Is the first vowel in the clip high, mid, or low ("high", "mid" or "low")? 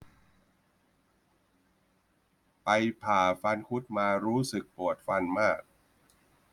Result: low